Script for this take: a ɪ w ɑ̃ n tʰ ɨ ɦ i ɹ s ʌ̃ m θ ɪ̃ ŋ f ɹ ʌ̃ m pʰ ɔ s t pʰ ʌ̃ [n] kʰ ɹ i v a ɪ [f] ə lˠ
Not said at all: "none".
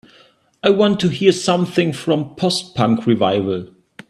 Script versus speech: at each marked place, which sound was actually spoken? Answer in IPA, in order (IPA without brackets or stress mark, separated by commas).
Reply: ŋ, v